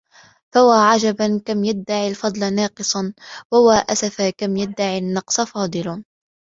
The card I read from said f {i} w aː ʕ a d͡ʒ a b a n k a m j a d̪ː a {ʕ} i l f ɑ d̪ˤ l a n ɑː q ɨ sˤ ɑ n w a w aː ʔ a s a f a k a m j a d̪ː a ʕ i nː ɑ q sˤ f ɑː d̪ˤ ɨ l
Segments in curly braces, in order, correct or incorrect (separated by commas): incorrect, correct